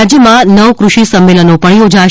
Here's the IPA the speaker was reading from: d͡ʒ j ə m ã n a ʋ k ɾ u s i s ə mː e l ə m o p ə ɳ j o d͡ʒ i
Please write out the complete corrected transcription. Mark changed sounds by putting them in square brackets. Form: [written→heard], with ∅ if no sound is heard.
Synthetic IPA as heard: d͡ʒ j ə m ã n [a→ə] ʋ k ɾ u [s→ʃ] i s ə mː e l ə [m→n] o p ə ɳ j o d͡ʒ [i→a]